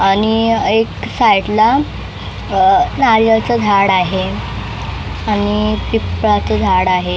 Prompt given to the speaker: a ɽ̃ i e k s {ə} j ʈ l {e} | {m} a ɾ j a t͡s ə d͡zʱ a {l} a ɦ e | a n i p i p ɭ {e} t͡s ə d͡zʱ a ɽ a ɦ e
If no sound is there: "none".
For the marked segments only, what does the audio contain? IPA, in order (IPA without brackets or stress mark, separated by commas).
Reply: a, a, n, ɽ, a